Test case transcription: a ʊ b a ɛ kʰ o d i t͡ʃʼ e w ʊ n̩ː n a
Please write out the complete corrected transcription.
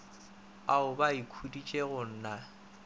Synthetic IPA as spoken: a ʊ b a i kʰ u d i t͡ʃʼ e ɣ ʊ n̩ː n a